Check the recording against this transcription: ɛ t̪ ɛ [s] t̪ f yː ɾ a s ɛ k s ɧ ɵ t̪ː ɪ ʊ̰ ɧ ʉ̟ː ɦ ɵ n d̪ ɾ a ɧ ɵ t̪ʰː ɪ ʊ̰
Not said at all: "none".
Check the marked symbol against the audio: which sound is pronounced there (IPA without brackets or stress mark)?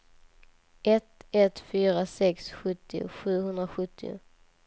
none